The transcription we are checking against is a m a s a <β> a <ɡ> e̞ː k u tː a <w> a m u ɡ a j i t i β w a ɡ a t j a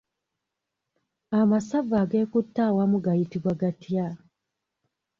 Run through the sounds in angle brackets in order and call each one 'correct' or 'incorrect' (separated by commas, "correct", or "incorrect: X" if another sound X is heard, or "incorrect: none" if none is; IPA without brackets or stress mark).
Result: incorrect: v, correct, correct